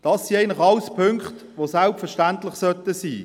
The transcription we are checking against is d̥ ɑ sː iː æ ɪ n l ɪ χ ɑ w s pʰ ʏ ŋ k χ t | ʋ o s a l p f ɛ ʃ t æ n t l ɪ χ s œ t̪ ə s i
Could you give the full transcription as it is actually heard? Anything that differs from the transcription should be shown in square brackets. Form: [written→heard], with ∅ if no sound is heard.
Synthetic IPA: d̥ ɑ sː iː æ ɪ n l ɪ χ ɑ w s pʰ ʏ ŋ k χ t | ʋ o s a l p f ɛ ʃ t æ n t l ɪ χ s œ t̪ ə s [i→iː]